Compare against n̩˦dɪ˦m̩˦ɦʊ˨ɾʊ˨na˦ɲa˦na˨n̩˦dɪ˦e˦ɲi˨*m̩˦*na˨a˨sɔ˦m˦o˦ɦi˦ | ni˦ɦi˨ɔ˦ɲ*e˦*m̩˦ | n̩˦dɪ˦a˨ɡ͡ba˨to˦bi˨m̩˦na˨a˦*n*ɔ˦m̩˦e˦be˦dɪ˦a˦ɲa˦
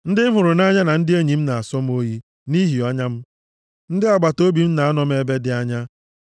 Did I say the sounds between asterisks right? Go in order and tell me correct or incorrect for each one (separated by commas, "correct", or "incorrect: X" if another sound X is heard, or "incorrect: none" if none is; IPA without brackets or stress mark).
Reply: correct, incorrect: a˦, correct